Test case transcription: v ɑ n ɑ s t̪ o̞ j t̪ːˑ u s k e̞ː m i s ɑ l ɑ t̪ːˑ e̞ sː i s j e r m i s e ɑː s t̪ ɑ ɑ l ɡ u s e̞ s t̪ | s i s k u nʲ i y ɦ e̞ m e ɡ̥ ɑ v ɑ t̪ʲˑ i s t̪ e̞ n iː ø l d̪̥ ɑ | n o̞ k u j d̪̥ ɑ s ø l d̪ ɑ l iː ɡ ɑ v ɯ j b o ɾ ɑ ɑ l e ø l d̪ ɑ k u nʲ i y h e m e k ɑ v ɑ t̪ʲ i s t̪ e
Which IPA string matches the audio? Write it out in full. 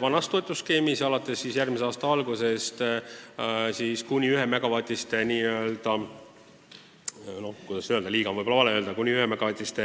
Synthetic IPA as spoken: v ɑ n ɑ s t̪ o̞ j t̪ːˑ u s k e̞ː m i s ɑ l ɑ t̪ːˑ e̞ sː i s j æ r m i s e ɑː s t̪ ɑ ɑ l ɡ u s e̞ s t̪ | s i s k u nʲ i y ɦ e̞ m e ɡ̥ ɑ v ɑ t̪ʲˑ i s t̪ e̞ n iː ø l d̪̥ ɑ | n o̞ k u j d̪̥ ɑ s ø l d̪ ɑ l iː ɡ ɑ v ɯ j b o l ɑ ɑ l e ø l d̪ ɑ k u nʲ i y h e m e ɡ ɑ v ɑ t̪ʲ i s t̪ e